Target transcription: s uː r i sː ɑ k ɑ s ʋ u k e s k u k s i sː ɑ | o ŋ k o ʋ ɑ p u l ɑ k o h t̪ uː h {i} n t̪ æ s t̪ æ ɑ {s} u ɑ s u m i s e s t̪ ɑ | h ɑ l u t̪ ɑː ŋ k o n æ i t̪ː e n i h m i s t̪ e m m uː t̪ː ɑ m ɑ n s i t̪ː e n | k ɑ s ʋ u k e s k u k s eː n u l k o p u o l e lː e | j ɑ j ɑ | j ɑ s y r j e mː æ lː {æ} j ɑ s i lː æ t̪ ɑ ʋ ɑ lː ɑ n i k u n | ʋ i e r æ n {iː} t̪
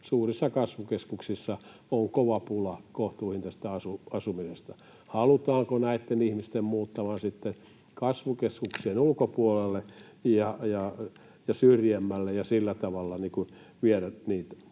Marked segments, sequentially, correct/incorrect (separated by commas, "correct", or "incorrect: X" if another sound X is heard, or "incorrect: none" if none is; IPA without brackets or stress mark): correct, correct, incorrect: e, correct